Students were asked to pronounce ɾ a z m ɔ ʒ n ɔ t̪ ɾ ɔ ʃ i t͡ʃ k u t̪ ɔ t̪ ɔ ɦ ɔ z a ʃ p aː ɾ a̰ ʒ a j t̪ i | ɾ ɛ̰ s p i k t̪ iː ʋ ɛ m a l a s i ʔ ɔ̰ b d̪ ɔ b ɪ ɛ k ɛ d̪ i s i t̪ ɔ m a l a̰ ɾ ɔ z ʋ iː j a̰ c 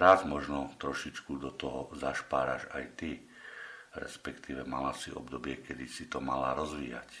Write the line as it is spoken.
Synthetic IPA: ɾ a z m ɔ ʒ n ɔ t̪ ɾ ɔ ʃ i t͡ʃ k u d̪ ɔ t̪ ɔ ɦ ɔ z a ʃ p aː ɾ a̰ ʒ a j t̪ i | ɾ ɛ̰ s p ɛ k t̪ iː ʋ ɛ m a l a s i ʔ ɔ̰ b d̪ ɔ b ɪ ɛ k ɛ d̪ i s i t̪ ɔ m a l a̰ ɾ ɔ z ʋ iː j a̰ c